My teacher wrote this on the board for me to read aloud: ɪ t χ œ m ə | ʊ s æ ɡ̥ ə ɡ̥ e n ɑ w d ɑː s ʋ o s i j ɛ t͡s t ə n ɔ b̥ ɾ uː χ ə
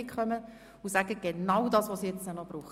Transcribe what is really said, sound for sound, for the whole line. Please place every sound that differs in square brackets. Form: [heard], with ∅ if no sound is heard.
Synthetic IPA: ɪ [k] χ œ m ə | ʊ s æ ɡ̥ ə ɡ̥ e n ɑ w d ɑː s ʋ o s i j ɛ t͡s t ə n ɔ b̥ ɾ uː χ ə